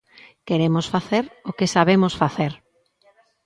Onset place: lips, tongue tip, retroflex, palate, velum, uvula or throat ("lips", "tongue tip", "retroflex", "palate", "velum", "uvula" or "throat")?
velum